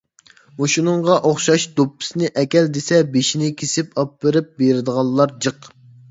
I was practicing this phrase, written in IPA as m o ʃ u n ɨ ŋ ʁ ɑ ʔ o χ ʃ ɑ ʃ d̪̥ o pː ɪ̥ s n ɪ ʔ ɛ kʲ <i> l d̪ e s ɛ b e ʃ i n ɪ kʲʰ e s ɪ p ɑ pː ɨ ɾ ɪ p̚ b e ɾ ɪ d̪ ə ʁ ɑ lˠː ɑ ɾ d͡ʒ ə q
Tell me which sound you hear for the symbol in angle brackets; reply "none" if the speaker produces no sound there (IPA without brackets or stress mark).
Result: ɛ